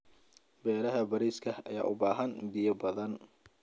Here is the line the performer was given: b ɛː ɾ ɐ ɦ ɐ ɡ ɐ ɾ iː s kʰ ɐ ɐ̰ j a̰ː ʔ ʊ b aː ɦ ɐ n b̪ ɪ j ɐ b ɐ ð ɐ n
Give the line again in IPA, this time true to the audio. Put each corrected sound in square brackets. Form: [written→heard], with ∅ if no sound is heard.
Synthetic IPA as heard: b ɛː ɾ ɐ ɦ ɐ [ɡ→b] ɐ ɾ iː s kʰ ɐ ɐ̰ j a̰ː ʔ ʊ b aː ɦ ɐ n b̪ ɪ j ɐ b ɐ ð ɐ n